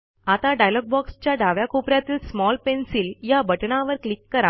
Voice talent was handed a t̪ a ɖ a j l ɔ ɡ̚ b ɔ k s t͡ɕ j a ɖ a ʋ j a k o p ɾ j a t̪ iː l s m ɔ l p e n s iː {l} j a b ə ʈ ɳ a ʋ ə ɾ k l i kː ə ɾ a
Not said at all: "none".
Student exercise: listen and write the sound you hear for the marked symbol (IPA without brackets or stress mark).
l